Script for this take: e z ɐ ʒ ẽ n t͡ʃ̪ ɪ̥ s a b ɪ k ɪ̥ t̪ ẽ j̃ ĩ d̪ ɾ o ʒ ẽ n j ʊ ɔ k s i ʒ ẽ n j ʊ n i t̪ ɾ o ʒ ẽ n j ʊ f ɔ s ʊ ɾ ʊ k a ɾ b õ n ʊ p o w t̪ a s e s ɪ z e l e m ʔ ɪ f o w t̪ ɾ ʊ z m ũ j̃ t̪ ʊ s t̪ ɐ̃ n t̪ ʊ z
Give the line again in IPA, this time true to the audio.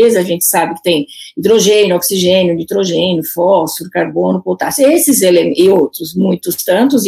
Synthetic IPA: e z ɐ ʒ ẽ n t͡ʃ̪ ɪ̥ s a b ɪ k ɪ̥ t̪ ẽ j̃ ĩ d̪ ɾ o ʒ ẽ n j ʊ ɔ k s i ʒ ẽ n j ʊ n i t̪ ɾ o ʒ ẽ n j ʊ f ɔ s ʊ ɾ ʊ k a ɾ b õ n ʊ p o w t̪ a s e s ɪ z e l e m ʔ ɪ o w t̪ ɾ ʊ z m ũ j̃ t̪ ʊ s t̪ ɐ̃ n t̪ ʊ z